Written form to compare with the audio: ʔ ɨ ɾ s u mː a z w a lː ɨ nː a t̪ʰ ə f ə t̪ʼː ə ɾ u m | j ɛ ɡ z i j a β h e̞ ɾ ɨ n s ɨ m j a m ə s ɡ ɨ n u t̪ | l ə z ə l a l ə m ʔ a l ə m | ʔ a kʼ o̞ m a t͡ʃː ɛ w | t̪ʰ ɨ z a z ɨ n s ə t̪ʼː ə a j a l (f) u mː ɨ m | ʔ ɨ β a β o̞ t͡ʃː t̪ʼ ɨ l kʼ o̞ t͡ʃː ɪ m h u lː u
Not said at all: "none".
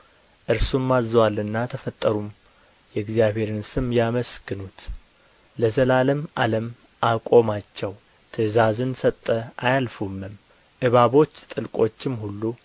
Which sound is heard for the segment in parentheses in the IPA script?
f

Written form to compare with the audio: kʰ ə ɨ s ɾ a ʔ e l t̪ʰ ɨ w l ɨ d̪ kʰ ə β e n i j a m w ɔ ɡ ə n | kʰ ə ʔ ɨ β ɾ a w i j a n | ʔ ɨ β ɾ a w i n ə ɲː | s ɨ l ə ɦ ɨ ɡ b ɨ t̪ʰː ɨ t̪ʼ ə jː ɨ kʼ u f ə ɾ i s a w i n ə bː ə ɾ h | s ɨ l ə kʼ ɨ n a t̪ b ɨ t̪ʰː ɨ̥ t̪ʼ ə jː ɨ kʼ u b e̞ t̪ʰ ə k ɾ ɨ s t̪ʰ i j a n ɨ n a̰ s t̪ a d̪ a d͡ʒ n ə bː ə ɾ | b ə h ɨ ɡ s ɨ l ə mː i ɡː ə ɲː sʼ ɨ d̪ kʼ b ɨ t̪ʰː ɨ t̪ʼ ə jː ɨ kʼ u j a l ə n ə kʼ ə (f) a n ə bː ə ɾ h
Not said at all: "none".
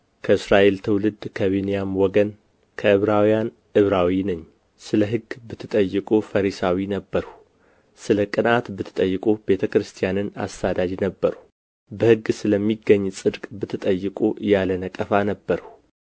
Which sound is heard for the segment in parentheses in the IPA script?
f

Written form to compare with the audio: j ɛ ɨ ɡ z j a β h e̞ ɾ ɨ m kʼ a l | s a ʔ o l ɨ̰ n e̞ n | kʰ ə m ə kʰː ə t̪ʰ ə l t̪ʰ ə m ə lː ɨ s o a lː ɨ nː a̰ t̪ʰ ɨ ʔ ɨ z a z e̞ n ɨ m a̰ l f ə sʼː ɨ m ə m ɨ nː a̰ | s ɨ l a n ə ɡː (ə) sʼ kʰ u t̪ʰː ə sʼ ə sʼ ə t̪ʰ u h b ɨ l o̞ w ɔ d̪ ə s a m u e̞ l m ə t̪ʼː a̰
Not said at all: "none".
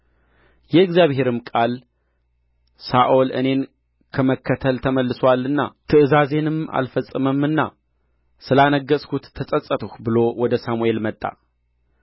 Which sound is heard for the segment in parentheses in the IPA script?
ə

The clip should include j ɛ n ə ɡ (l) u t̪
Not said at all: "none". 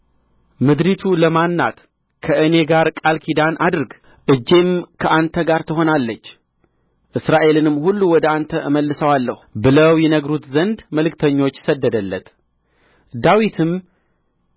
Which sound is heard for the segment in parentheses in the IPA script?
ɾ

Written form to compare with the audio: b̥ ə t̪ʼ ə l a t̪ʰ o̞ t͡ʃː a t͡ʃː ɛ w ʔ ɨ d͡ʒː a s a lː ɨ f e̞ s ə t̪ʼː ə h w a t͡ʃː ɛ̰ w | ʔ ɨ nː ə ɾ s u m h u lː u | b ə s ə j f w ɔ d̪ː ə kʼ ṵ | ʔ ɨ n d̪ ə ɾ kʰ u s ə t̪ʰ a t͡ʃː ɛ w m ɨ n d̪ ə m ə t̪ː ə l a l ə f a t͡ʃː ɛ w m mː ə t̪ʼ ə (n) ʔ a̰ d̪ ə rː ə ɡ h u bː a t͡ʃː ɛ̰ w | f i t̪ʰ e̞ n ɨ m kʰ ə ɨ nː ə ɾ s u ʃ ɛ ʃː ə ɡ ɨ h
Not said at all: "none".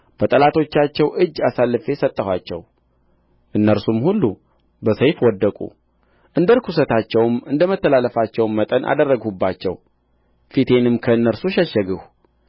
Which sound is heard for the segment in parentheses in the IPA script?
n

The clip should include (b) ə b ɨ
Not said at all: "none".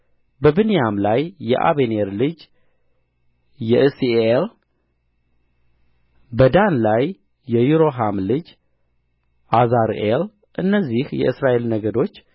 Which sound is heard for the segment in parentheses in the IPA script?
b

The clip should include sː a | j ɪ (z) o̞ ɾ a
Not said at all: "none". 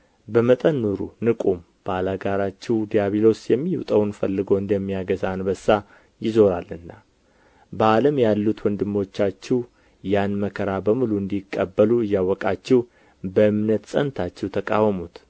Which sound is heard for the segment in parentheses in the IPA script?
z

